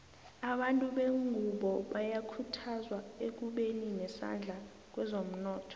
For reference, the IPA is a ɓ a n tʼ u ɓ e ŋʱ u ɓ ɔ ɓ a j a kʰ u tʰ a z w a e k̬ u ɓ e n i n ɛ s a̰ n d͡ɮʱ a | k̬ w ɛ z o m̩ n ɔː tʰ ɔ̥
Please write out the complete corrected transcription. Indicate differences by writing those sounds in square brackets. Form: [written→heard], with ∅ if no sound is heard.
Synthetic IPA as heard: a ɓ a n tʼ u ɓ e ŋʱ u ɓ ɔ ɓ a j a kʰ u tʰ a z w a e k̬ u ɓ e n i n ɛ s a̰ n d͡ɮʱ a | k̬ w ɛ z o m̩ n ɔː tʰ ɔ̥

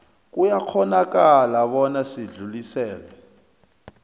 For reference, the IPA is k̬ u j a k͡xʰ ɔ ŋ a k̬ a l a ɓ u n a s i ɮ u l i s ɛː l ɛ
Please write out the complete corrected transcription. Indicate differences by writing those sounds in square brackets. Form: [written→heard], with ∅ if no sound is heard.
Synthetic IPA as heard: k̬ u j a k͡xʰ ɔ [ŋ→n] a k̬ a l a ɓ [u→ɔ] n a s i ɮ u l i s ɛː l ɛ

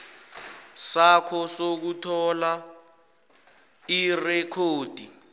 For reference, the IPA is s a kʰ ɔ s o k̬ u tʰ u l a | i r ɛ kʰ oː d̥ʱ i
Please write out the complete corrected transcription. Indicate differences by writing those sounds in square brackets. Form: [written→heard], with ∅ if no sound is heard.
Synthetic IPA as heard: s a kʰ ɔ s o k̬ u tʰ [u→ɔ] l a | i r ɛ kʰ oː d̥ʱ i

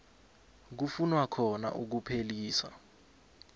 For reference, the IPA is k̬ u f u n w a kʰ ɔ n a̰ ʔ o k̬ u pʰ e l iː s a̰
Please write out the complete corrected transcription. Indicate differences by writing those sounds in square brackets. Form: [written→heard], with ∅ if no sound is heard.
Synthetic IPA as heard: k̬ u f u n w a kʰ ɔ n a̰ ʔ [o→u] k̬ u pʰ e l iː s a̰

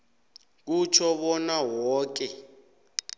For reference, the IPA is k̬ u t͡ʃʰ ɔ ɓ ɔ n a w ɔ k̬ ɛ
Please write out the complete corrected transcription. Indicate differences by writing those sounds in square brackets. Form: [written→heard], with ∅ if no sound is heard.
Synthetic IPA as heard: k̬ u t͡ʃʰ ɔ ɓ ɔ n a w [ɔ→ɔː] k̬ ɛ

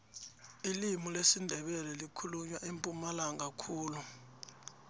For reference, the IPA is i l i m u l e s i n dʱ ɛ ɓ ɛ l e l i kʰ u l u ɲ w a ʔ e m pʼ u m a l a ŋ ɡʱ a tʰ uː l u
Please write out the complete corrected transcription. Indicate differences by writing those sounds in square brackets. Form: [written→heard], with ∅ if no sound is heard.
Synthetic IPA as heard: i l i m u l e s i n dʱ ɛ ɓ ɛ l [e→ɛ] l i kʰ u l u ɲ w a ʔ e m pʼ u m a l a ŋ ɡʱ a [tʰ→kʰ] uː l u

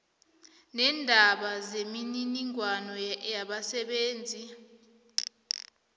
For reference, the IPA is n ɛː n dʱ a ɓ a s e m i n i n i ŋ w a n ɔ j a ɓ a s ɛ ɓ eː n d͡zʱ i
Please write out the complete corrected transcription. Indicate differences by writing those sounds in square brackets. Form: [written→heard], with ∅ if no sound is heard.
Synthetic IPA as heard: n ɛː n dʱ a ɓ a [s→z] e m i n i n i ŋ w a n ɔ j a ɓ a s ɛ ɓ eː n d͡zʱ i

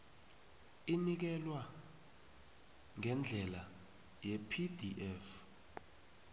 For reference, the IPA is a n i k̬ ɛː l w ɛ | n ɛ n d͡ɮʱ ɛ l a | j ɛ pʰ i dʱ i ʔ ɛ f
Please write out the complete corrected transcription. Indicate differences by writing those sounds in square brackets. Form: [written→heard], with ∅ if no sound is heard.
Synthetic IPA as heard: [a→i] n i k̬ [ɛː→ɛ] l w [ɛ→a] | [n→ŋ] ɛ n d͡ɮʱ ɛ l a | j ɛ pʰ i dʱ i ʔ ɛ f

